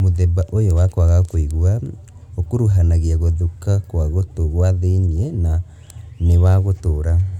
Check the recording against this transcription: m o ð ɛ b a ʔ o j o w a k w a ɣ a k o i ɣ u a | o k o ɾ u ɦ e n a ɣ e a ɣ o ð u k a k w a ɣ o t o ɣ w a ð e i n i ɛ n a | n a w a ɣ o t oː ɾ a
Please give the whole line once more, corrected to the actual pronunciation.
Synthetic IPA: m o ð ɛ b a ʔ o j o w a k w a ɣ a k o i ɣ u a | o k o ɾ u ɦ a n a ɣ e a ɣ o ð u k a k w a ɣ o t o ɣ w a ð e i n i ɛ n a | n e w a ɣ o t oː ɾ a